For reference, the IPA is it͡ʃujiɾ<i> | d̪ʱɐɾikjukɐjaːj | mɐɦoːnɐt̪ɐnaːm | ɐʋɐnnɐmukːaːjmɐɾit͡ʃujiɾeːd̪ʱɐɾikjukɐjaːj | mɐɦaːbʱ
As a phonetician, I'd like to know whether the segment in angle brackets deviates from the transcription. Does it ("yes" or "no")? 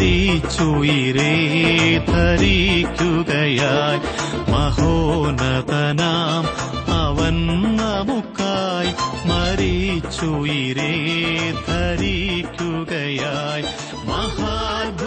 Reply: yes